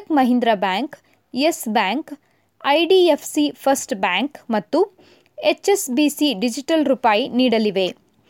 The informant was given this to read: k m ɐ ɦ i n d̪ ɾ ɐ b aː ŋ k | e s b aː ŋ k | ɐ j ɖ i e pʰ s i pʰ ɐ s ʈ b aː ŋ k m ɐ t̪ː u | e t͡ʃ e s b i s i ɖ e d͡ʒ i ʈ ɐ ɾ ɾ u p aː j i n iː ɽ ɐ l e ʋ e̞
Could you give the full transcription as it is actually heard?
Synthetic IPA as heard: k m ɐ ɦ i n d̪ ɾ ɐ b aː ŋ k | e s b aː ŋ k | ɐ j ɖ i e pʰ s i pʰ ɐ s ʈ b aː ŋ k m ɐ t̪ː u | e t͡ʃ e s b i s i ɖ i d͡ʒ i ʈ ɐ l ɾ u p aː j i n iː ɽ ɐ l i ʋ e̞